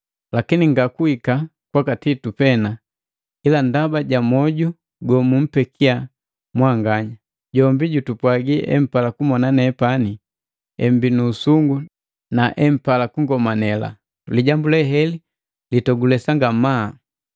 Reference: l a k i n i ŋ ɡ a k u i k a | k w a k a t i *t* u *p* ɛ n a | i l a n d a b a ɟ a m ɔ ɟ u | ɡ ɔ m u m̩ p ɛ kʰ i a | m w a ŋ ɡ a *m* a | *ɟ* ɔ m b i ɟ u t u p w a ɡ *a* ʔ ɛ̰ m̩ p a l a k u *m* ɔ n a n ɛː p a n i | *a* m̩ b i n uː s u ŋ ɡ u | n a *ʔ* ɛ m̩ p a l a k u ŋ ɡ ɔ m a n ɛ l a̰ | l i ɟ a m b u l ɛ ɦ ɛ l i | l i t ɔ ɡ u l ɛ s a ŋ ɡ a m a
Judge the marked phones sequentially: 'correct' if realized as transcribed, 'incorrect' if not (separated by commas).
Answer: correct, correct, incorrect, correct, incorrect, correct, incorrect, correct